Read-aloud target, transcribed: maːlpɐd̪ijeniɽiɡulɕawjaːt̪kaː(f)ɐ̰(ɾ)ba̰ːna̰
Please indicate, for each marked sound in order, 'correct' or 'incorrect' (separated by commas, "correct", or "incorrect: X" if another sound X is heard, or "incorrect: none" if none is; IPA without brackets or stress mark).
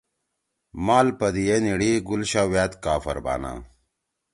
correct, correct